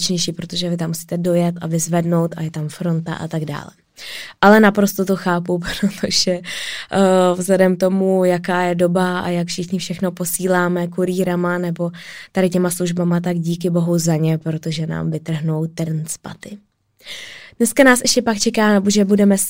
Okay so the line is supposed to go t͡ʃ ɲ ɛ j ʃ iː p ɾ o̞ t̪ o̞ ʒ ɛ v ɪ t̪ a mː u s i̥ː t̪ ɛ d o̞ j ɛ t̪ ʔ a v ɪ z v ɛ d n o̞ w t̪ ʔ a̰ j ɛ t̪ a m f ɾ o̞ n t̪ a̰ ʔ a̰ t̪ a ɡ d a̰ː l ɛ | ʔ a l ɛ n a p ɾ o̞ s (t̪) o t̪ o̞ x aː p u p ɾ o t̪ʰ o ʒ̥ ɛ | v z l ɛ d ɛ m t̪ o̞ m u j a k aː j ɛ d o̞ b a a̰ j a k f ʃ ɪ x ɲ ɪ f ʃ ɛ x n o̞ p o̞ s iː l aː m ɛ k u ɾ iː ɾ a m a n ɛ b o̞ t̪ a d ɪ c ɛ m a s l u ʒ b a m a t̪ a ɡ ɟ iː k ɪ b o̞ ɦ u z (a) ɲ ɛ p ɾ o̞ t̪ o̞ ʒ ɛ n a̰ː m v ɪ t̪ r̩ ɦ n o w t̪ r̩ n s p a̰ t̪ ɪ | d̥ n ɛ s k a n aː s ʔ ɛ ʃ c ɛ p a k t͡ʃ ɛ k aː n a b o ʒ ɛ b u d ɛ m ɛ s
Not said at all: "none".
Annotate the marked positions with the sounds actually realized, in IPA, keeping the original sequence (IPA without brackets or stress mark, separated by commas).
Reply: t̪, a